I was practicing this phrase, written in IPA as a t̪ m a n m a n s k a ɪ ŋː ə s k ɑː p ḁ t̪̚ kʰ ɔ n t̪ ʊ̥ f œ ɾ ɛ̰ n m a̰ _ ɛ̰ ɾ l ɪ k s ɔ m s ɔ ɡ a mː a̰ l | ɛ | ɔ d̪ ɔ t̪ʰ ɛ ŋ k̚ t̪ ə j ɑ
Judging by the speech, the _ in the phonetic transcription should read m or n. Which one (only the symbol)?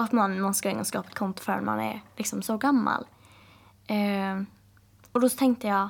n